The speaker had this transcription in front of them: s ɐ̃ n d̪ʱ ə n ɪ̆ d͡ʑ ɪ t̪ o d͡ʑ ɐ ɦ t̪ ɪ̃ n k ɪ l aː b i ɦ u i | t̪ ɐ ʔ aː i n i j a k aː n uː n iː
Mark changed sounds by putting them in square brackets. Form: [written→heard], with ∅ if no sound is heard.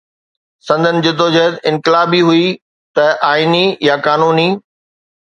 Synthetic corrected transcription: s ɐ̃ n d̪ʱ ə n ɪ̆ d͡ʑ ɪ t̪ o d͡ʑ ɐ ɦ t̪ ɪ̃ n k ɪ l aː b i ɦ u i | t̪ ɐ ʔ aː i n i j a k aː n uː n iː